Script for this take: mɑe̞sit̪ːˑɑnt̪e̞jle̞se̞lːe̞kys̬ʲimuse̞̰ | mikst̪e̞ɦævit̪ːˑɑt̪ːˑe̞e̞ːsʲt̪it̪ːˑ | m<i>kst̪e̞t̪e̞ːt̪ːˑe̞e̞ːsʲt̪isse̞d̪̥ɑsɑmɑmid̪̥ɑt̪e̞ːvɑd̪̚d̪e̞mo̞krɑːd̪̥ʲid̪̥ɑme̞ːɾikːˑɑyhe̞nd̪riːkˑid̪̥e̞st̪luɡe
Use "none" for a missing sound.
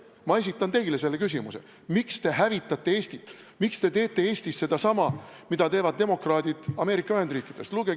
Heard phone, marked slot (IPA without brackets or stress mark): i